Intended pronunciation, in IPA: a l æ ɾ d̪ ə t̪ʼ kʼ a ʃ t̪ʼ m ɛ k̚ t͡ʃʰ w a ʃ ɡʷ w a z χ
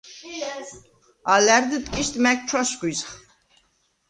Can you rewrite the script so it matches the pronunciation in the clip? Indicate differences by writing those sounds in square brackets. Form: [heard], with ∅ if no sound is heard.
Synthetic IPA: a l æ ɾ d̪ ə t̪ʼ kʼ [i] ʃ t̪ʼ m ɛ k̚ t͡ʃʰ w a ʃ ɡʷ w [i] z χ